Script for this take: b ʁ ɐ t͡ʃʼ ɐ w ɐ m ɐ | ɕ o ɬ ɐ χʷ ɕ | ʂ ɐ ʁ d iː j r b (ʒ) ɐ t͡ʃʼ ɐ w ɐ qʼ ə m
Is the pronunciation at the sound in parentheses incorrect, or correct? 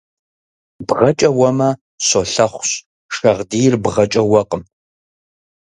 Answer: incorrect